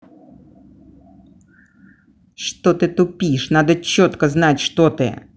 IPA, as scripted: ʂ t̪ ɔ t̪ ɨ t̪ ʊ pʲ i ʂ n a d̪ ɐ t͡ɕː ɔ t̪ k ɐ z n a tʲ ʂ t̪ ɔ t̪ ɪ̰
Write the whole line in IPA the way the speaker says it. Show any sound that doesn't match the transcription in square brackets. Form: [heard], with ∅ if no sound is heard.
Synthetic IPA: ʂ t̪ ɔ t̪ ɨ t̪ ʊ pʲ i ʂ n a d̪ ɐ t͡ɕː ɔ t̪ k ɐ z n a tʲ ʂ t̪ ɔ t̪ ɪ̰